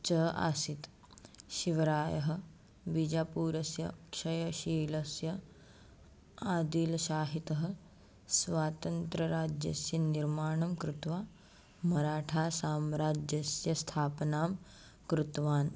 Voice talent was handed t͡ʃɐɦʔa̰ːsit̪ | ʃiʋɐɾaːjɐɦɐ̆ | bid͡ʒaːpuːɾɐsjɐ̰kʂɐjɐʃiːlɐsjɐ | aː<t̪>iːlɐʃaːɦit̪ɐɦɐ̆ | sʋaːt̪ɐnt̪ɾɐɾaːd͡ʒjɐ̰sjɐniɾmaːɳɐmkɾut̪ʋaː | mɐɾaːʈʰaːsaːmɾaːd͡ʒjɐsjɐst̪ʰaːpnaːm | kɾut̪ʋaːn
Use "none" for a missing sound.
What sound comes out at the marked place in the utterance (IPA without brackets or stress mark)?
d̪